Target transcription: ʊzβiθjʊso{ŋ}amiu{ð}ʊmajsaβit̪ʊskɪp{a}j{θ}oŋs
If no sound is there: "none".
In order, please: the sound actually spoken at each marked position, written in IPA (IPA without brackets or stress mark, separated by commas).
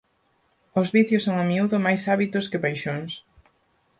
ŋ, ð, a, ʃ